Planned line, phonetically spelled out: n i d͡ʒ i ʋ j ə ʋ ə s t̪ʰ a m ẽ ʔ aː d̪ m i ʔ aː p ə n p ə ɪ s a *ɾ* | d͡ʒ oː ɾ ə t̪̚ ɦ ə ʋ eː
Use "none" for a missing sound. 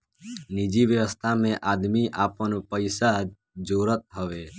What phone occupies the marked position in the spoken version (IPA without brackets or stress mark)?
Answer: none